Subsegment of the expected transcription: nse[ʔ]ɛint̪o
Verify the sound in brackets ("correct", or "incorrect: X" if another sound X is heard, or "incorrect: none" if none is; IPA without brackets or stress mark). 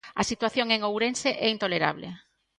correct